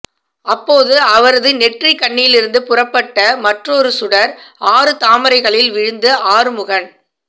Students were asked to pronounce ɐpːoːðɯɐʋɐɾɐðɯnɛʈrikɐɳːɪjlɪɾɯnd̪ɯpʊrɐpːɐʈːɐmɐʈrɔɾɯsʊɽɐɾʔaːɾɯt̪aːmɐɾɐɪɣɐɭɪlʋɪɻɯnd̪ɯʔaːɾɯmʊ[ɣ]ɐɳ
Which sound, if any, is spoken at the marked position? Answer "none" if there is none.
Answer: ɣ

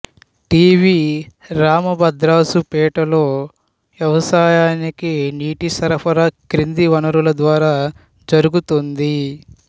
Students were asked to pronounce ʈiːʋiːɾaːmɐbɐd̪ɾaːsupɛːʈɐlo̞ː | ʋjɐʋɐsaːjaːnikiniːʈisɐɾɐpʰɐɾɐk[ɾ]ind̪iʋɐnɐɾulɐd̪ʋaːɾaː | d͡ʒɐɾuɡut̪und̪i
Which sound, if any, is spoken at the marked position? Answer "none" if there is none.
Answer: ɾ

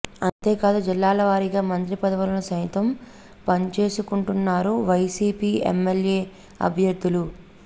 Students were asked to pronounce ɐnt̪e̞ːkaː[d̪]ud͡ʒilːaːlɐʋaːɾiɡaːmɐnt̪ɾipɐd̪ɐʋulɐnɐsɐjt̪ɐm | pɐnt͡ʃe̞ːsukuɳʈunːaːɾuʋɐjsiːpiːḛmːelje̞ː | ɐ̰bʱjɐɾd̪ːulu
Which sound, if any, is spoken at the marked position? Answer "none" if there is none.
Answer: d̪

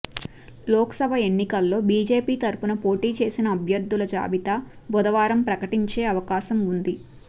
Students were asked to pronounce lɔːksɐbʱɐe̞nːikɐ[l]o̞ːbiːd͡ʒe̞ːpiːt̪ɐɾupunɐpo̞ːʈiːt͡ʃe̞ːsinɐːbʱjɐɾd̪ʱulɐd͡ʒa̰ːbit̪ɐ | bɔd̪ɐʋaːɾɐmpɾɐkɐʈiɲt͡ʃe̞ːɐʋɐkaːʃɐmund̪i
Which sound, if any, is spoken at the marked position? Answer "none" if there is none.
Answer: lː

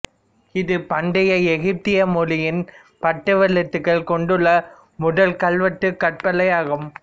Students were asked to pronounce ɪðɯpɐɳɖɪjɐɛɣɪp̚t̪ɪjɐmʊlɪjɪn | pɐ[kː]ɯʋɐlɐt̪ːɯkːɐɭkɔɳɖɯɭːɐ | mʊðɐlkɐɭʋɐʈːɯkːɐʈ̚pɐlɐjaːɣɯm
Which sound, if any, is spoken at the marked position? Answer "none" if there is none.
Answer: ʈː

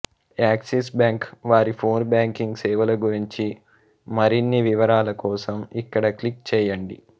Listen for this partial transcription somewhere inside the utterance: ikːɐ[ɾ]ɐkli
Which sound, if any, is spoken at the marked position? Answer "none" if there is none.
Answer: ɽ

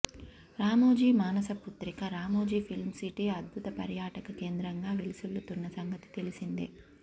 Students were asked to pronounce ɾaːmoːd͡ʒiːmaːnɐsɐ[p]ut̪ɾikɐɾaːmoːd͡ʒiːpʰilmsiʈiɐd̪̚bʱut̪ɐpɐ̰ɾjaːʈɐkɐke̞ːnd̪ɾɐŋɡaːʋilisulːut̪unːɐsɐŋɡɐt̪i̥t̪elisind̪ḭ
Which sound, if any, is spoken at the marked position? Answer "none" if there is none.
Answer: p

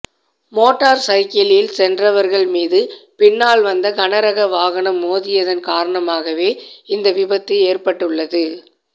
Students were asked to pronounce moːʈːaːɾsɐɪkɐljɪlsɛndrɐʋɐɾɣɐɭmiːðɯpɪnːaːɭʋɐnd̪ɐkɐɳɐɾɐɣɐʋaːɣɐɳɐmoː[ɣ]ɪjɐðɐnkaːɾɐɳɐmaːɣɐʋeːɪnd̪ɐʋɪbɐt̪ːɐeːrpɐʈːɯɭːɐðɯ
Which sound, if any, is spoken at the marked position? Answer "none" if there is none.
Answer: ð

